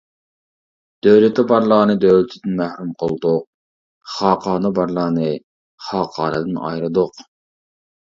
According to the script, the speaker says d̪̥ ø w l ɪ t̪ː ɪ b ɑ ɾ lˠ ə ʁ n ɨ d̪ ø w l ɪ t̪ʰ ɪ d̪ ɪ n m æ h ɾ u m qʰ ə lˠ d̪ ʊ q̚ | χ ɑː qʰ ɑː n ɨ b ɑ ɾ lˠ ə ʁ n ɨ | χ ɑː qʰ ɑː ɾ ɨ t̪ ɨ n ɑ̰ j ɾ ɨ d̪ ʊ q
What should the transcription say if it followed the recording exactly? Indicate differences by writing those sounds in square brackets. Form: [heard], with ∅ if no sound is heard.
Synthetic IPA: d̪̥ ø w l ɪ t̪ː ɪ b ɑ ɾ lˠ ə ʁ n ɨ d̪ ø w l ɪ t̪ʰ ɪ d̪ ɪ n m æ h ɾ u m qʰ ə lˠ d̪ ʊ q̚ | χ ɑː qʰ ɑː n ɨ b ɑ ɾ lˠ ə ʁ n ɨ | χ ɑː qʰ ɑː ɾ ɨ [d̪] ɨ n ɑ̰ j ɾ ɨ d̪ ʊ q